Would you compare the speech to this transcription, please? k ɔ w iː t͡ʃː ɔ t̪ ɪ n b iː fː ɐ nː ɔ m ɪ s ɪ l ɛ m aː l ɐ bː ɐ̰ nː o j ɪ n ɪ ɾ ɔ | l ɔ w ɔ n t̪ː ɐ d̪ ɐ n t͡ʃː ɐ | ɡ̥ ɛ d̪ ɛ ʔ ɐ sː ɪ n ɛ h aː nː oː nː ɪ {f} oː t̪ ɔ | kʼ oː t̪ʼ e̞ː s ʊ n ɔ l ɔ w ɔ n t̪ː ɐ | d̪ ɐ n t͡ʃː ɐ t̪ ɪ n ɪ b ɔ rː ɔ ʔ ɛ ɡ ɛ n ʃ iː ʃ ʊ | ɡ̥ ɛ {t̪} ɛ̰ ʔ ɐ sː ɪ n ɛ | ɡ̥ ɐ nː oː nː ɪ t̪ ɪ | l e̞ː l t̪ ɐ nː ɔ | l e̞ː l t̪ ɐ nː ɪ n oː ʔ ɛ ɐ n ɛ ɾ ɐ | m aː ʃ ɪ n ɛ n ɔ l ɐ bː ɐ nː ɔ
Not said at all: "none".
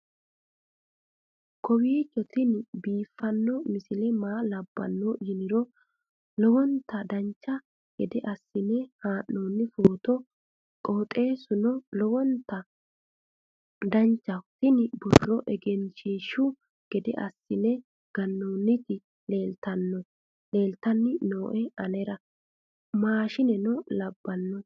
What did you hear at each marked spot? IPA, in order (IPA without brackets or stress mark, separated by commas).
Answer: f, d̪